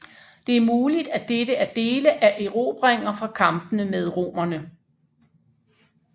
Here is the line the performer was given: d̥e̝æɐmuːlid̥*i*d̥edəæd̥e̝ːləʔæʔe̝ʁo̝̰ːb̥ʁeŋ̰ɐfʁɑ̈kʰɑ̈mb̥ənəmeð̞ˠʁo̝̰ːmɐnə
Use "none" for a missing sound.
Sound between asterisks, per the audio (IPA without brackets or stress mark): æ